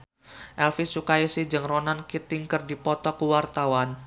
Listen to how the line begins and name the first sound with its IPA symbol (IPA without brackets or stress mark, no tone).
ʔ